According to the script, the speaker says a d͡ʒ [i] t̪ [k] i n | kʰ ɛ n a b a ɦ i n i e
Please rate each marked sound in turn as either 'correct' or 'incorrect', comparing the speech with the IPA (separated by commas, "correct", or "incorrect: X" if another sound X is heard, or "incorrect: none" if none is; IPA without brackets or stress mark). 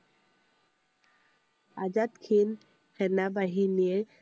incorrect: a, incorrect: kʰ